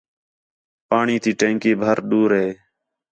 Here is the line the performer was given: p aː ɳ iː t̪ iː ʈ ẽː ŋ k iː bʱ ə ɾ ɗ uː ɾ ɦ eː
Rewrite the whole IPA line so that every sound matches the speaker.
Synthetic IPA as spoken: p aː ɳ iː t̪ iː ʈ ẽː ŋ k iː bʱ ə ɾ ɗ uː ɾ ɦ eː